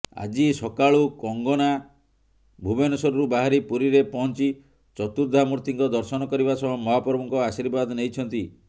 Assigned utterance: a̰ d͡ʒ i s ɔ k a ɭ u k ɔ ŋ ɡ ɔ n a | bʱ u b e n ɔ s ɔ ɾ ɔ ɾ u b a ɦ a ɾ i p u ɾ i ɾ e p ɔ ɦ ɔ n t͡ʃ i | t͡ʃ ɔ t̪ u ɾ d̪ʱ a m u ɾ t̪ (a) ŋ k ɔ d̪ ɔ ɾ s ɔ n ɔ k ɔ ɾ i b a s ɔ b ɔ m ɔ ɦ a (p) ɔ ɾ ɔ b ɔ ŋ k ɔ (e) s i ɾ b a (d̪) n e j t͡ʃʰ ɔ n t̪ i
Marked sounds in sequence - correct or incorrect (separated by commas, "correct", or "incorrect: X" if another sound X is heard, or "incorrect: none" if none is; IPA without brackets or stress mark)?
incorrect: i, correct, incorrect: a, correct